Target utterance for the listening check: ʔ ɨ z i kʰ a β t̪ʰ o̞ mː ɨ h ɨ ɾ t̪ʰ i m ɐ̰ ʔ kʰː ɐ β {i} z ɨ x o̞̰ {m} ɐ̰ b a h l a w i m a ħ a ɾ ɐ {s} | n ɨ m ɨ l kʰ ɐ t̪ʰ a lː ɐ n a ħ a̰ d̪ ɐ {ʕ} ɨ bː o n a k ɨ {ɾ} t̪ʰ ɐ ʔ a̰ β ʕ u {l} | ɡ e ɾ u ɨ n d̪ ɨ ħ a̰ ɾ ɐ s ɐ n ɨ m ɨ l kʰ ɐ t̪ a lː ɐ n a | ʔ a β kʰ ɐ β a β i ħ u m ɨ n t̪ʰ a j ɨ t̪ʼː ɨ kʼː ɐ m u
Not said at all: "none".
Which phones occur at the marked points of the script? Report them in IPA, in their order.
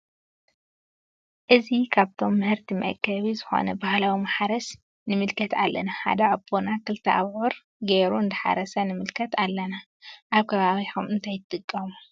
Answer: i, n, s, ʕ, l, ɾ

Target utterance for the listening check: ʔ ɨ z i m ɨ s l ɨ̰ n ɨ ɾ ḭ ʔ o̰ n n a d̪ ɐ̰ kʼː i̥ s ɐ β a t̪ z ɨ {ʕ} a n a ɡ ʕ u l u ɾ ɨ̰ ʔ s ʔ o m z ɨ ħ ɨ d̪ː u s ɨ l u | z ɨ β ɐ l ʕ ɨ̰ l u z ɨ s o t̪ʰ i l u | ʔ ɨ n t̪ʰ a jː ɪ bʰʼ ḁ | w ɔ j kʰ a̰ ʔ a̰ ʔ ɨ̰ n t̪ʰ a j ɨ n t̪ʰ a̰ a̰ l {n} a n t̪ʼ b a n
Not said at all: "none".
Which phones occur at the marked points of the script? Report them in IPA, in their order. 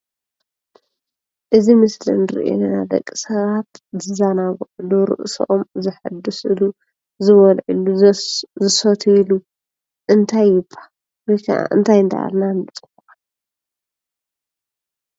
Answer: z, n

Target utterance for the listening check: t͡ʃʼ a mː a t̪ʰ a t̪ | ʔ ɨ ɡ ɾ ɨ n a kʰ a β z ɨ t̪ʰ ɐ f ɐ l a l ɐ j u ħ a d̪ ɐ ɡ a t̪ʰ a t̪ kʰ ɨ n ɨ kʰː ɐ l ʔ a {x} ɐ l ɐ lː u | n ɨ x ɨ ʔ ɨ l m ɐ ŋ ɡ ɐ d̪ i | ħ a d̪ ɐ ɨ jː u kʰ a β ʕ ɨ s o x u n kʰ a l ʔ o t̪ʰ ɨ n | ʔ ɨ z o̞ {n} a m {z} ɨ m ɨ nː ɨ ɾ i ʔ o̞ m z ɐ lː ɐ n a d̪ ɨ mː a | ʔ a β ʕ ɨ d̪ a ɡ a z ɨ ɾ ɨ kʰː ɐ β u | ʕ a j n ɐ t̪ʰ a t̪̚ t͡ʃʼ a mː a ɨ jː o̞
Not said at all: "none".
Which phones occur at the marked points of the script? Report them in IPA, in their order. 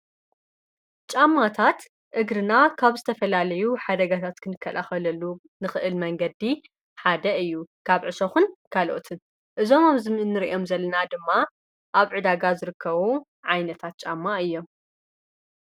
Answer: x, m, z

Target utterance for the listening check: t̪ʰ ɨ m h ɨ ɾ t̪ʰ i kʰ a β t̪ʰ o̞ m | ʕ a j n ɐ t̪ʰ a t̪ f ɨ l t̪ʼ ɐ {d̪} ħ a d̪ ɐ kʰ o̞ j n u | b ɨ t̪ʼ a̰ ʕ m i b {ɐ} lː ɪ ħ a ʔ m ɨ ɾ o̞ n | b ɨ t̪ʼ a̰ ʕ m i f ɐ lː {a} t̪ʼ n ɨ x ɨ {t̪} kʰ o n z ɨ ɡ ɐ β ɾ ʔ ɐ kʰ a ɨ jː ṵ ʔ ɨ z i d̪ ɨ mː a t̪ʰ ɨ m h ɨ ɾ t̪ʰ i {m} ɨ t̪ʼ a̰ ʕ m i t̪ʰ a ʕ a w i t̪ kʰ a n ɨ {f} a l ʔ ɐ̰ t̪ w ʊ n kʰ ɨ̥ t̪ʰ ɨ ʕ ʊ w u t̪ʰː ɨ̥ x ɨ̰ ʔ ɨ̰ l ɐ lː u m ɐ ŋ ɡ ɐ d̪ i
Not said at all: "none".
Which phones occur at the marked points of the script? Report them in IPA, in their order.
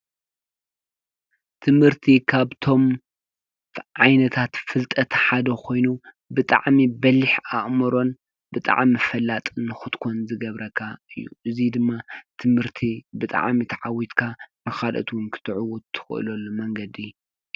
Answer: t̪, ɐ, a, t̪, b, x

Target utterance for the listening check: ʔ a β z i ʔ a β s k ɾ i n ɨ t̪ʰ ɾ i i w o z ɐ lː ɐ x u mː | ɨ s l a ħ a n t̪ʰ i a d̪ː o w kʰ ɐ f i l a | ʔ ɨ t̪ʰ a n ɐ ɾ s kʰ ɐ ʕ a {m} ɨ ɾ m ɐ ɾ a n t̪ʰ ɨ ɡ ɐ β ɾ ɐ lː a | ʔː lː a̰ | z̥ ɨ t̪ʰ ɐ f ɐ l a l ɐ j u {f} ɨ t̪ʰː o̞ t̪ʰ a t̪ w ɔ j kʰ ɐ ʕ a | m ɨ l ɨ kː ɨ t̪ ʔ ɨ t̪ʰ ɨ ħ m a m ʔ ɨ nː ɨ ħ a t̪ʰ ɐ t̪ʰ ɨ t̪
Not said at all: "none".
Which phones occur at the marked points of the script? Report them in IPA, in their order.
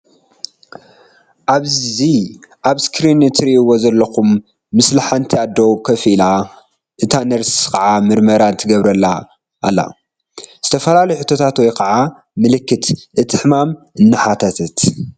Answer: m, ħ

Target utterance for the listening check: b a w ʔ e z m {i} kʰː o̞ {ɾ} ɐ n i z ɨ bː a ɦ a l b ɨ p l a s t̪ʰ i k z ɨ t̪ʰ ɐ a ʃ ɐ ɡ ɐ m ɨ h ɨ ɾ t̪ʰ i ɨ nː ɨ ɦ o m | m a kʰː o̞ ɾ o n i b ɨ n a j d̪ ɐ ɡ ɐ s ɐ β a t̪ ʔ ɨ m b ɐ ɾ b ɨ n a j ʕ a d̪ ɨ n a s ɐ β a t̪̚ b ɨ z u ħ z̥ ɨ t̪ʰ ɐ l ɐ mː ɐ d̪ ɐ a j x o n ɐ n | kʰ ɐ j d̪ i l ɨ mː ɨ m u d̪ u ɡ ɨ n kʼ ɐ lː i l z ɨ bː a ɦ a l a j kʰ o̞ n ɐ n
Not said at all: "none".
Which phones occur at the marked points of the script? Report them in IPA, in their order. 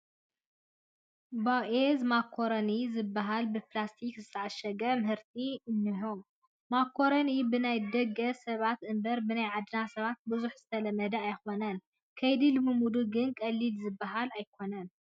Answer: a, ɾ

